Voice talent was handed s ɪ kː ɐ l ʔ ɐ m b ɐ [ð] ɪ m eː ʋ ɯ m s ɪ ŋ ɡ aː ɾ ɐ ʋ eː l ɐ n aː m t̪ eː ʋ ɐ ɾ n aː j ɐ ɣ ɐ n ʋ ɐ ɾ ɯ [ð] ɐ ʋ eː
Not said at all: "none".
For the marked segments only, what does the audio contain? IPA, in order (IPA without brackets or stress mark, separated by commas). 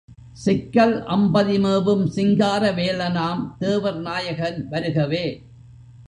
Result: ð, ɣ